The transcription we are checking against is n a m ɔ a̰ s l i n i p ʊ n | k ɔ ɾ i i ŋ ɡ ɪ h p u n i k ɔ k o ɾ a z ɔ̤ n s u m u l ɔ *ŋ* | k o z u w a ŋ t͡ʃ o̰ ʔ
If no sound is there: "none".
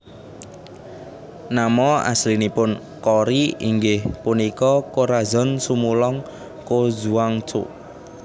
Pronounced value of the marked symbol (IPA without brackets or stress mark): ŋ